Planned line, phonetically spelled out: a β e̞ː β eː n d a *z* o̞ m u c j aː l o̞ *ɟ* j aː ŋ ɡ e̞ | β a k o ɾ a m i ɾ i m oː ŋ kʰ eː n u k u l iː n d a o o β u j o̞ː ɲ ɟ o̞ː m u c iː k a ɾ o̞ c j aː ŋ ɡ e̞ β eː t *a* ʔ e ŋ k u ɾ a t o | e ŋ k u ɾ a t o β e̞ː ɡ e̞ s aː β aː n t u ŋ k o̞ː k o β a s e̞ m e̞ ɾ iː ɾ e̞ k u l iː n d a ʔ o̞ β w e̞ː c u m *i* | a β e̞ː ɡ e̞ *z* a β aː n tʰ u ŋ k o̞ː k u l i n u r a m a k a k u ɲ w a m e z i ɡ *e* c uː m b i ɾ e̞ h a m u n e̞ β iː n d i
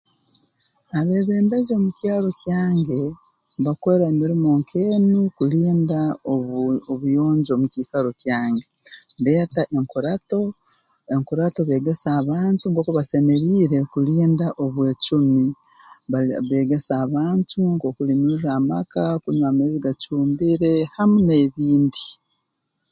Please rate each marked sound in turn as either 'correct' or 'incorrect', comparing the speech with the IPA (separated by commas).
correct, incorrect, correct, correct, incorrect, incorrect